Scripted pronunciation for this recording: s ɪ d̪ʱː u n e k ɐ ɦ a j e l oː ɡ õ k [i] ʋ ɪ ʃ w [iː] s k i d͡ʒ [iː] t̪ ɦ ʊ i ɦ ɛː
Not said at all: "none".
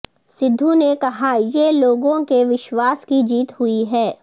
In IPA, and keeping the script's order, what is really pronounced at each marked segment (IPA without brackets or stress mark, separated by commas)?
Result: e, aː, iː